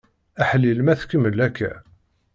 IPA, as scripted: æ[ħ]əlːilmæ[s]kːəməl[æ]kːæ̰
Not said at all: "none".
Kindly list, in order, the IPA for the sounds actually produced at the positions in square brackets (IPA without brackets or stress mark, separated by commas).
ħ, θ, æ